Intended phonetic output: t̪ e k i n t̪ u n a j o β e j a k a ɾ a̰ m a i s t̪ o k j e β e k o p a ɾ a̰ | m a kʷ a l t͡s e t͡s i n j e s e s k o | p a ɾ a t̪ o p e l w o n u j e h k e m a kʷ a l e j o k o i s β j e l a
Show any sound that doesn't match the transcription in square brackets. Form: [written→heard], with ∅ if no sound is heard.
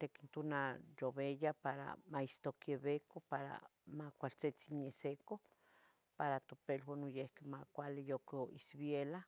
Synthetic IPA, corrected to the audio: t̪ e k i n t̪ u n a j o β e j a [k→p] a ɾ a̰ m a i s t̪ o k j e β e k o p a ɾ a̰ | m a kʷ a l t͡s e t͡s i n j e s e [s→∅] k o | p a ɾ a t̪ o p e l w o n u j e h k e m a kʷ a l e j o k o i s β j e l a